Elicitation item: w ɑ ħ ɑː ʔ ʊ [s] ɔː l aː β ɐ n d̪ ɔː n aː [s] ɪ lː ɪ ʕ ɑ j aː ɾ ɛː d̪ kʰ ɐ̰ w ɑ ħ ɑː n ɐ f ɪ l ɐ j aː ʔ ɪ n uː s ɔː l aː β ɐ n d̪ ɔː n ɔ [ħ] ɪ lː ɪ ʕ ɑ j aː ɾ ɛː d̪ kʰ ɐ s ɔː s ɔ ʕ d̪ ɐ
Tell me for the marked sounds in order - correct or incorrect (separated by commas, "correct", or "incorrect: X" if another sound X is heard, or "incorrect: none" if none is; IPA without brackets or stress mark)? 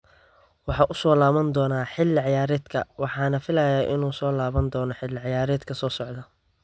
correct, incorrect: ħ, correct